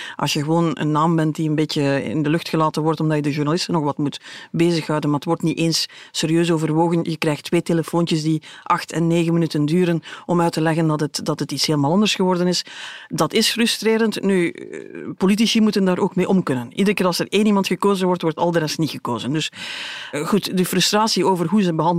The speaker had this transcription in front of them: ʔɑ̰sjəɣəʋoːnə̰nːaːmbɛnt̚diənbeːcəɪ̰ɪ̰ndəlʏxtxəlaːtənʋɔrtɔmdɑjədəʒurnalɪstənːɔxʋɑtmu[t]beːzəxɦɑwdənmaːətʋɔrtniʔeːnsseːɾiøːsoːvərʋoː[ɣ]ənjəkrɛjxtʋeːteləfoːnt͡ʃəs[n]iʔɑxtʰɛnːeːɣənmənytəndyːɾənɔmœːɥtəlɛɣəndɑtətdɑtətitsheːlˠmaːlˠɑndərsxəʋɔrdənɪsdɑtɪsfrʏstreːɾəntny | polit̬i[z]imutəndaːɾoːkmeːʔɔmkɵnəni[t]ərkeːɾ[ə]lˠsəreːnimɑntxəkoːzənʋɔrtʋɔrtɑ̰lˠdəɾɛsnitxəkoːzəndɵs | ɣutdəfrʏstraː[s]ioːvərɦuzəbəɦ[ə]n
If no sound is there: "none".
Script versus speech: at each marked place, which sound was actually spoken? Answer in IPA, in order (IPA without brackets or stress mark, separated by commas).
t, ɣ, d, s, d, ɑ, s, ɑ